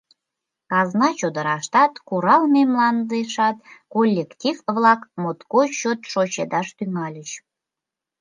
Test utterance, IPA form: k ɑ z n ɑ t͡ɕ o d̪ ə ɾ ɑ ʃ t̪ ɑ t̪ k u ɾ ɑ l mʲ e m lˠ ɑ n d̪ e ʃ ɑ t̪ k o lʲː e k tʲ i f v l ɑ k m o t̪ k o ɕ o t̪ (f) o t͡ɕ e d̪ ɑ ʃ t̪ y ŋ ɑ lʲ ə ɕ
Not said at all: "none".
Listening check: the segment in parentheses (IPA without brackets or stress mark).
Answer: ʃ